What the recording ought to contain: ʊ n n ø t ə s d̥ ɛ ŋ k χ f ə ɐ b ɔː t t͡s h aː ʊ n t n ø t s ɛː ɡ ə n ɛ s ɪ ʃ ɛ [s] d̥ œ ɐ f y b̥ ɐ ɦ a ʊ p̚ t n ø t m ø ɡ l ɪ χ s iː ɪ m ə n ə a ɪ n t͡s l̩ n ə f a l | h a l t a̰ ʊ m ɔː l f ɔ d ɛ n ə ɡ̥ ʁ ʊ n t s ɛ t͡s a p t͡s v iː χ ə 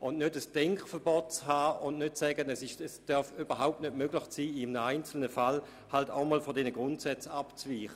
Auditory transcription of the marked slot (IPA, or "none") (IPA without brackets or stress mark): s